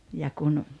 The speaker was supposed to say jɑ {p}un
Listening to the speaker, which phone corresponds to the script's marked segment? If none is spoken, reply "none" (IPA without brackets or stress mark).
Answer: k